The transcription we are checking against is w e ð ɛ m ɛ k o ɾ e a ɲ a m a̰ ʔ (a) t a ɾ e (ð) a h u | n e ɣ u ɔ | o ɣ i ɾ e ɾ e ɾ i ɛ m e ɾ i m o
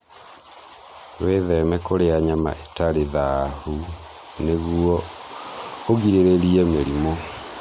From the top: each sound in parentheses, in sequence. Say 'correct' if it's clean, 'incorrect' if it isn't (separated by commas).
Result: incorrect, correct